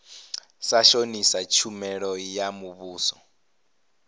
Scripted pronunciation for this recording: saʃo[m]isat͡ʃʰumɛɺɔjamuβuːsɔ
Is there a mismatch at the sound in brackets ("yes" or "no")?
yes